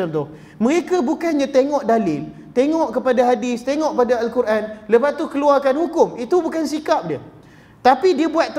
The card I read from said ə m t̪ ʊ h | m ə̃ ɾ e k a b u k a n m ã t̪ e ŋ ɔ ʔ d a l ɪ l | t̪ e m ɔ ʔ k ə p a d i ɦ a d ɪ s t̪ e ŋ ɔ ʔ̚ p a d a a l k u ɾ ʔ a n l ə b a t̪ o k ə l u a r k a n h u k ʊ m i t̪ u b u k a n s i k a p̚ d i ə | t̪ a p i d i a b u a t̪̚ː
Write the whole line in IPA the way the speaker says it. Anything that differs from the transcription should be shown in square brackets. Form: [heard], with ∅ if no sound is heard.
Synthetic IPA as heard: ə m t̪ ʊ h | m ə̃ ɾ e k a b u k a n [ɲ] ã t̪ e ŋ ɔ ʔ d a l ɪ l | t̪ e [ŋ] ɔ ʔ k ə p a d [a] ɦ a d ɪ s t̪ e ŋ ɔ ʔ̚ p a d a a l k u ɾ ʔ a n l ə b a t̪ [u] k ə l u a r k a n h u k ʊ m i t̪ u b u k a n s i k a p̚ d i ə | t̪ a p i d i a b u a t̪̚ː